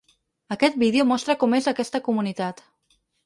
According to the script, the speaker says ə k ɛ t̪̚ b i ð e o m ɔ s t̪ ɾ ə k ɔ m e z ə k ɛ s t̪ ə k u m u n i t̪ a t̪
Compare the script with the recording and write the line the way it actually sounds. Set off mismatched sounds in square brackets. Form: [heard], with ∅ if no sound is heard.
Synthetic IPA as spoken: ə k ɛ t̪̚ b i ð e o m ɔ s t̪ ɾ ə k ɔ m e z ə k ɛ s t̪ ə k u m u n i t̪ a t̪